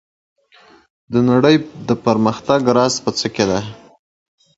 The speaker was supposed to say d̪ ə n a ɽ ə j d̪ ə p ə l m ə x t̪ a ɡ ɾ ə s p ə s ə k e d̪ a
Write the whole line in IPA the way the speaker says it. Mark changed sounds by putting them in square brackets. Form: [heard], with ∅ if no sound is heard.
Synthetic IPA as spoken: d̪ ə n a ɽ ə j d̪ ə p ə [ɾ] m ə x t̪ a ɡ ɾ [ɑ] s p ə [t͡s] ə k e d̪ a